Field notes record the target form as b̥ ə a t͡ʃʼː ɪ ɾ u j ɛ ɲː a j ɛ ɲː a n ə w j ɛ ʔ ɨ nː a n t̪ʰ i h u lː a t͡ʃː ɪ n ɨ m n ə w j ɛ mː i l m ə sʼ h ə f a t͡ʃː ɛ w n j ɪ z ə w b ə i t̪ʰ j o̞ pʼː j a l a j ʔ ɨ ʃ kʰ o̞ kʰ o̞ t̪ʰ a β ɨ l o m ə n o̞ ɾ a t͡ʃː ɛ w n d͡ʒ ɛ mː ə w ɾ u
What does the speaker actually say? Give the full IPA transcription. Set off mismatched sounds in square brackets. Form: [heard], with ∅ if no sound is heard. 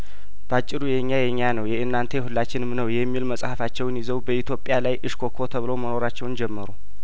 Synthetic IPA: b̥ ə a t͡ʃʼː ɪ ɾ u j ɛ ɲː a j ɛ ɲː a n ə w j ɛ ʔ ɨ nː a n t̪ʰ [e] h u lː a t͡ʃː ɪ n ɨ m n ə w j ɛ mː i l m ə sʼ h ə f a t͡ʃː ɛ w n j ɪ z ə w b ə i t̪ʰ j o̞ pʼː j a l a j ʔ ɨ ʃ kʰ o̞ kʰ o̞ t̪ʰ [ə] β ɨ l o m ə n o̞ ɾ a t͡ʃː ɛ w n d͡ʒ ɛ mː ə [∅] ɾ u